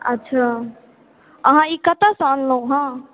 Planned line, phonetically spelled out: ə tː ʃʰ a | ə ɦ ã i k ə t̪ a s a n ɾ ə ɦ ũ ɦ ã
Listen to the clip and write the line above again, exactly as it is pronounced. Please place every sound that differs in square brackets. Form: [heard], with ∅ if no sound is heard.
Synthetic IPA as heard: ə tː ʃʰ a | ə ɦ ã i k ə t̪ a s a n [l] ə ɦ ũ ɦ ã